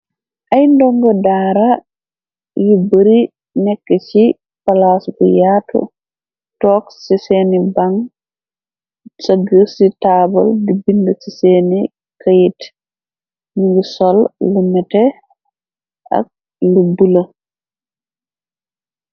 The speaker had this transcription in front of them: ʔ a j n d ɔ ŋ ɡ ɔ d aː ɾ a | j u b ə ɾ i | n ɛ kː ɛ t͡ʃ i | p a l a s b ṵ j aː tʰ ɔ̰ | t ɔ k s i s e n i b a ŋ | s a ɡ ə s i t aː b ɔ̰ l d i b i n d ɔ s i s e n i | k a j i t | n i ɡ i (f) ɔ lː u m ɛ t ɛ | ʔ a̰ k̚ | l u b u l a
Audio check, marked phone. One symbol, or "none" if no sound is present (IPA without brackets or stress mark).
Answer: s